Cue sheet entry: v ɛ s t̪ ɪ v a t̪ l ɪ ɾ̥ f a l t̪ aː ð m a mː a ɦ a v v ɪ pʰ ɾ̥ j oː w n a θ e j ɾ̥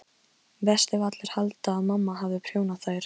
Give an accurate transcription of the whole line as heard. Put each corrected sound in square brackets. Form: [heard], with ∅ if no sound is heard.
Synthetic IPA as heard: v ɛ s t̪ ɪ v a t̪ l ɪ ɾ̥ [h] a l t̪ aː ð m a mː a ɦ a v [ð] ɪ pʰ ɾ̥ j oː w n a θ [a] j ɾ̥

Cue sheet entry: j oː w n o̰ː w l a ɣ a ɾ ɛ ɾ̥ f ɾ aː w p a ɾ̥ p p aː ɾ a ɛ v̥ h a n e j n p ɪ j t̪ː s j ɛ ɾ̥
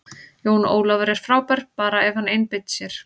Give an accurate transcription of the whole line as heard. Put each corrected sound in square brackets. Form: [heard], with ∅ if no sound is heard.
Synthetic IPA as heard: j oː w n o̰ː w l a [v] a ɾ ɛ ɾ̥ f ɾ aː w p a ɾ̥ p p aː ɾ a ɛ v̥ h a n e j n p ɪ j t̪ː s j ɛ ɾ̥

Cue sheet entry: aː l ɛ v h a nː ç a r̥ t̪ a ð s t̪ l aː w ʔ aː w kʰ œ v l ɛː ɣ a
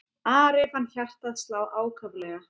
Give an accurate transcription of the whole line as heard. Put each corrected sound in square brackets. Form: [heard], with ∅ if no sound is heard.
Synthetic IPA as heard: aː [ɾ] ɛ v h a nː ç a r̥ t̪ a ð s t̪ l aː w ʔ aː w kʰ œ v l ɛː ɣ a

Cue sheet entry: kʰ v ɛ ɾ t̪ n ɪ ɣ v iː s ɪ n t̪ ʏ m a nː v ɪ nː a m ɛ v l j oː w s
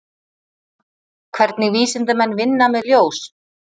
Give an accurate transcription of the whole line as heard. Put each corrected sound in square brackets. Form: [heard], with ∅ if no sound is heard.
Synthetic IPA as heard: kʰ v ɛ ɾ t̪ n ɪ ɣ v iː s ɪ n t̪ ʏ m [ɛ] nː v ɪ nː a m ɛ [ð] l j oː w s

